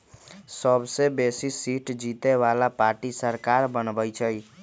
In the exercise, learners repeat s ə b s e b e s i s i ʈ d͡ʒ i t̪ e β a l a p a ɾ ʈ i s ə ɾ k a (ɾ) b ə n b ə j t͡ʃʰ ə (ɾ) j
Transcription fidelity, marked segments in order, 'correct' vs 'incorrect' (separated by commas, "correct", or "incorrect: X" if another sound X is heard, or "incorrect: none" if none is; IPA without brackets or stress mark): correct, incorrect: none